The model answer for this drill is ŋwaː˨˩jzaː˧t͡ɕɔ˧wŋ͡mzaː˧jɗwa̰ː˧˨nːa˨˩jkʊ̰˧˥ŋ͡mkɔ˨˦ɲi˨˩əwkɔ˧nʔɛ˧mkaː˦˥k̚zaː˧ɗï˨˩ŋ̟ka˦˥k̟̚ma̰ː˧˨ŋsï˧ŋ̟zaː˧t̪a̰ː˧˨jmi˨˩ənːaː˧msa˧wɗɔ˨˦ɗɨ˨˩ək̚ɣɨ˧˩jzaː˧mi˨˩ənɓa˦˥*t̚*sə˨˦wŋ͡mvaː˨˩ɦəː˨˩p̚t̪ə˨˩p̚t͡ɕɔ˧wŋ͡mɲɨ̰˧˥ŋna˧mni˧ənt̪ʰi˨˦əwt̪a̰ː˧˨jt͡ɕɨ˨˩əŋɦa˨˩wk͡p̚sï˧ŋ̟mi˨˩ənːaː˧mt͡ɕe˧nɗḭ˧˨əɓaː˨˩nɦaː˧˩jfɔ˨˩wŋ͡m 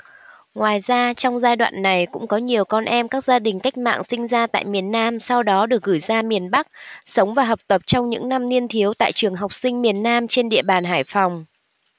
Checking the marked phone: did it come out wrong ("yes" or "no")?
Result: yes